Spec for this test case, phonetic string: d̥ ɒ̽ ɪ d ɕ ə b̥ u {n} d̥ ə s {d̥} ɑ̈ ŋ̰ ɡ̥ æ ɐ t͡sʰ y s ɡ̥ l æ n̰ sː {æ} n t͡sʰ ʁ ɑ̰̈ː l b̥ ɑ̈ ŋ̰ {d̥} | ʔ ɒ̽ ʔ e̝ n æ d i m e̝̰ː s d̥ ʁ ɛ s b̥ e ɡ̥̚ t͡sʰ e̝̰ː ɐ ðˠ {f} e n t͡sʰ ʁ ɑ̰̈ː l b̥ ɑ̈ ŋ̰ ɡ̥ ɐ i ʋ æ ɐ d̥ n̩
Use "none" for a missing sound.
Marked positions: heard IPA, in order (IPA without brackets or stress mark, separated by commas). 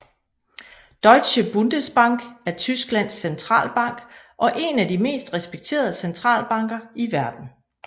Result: n, b̥, e, ɡ̥, s